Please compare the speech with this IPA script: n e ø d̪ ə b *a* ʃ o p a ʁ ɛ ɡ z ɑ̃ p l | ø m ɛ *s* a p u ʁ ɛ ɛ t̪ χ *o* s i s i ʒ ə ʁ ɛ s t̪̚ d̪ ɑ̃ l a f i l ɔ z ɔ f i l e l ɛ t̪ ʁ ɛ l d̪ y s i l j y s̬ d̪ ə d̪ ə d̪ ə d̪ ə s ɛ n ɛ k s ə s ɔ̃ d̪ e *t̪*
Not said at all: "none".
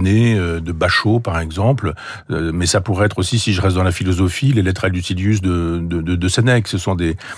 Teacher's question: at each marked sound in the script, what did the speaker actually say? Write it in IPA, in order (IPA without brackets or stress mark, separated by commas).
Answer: a, s, o, none